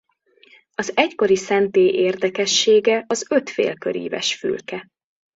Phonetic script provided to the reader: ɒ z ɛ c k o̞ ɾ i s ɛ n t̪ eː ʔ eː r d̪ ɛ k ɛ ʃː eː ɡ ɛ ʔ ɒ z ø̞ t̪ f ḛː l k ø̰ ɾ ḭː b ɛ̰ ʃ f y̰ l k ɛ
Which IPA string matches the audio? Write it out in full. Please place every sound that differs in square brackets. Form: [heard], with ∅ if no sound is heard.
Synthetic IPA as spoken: ɒ z ɛ c k o̞ ɾ i s ɛ n t̪ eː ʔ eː r d̪ ɛ k ɛ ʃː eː ɡ ɛ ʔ ɒ z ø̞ t̪ f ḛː l k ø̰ ɾ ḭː [v] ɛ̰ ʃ f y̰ l k ɛ